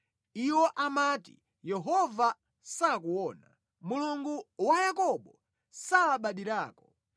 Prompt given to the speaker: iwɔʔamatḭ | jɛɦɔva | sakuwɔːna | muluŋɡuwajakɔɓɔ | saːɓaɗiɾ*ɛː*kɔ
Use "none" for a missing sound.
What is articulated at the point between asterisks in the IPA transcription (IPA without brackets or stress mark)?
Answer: aː